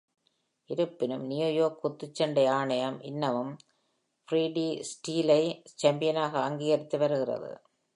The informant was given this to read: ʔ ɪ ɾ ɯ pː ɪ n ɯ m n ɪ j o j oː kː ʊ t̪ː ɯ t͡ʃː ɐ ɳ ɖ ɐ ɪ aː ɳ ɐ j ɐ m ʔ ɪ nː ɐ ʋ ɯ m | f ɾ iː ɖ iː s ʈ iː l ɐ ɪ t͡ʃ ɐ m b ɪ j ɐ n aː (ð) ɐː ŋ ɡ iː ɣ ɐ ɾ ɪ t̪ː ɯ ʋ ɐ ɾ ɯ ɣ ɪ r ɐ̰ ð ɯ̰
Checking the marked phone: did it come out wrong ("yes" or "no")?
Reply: yes